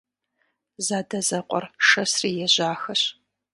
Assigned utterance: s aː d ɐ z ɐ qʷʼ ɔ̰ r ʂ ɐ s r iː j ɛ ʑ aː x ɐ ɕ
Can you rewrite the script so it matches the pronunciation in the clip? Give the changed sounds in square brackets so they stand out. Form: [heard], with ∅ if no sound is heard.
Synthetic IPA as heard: [z] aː d ɐ z ɐ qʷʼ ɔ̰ r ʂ ɐ s r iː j ɛ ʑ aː x ɐ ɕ